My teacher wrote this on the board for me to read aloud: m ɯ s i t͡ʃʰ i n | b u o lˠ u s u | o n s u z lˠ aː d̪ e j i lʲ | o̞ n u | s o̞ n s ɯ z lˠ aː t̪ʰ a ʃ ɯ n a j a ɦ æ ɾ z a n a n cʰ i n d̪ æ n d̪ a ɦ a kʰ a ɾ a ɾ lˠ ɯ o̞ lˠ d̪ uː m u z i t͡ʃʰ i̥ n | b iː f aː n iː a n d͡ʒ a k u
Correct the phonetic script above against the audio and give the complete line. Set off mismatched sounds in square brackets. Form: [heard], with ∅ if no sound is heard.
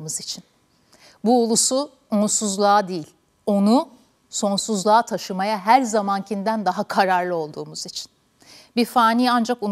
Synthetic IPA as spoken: m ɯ [z] i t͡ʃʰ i n | b u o lˠ u s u | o n s u z lˠ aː d̪ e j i lʲ | o̞ n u | s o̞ n s [u] z lˠ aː t̪ʰ a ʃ ɯ [m] a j a ɦ æ ɾ z a [m] a n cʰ i n d̪ æ n d̪ a ɦ a kʰ a ɾ a ɾ lˠ ɯ o̞ lˠ d̪ uː m u z i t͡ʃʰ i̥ n | b [i] f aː n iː a n d͡ʒ a k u